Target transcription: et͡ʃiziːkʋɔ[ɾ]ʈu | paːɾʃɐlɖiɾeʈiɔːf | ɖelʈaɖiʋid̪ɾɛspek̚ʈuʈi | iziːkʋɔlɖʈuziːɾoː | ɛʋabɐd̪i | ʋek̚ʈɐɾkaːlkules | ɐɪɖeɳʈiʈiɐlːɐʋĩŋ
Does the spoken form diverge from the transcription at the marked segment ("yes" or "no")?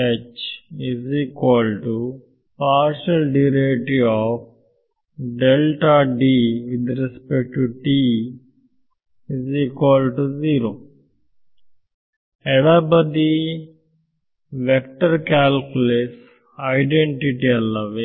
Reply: yes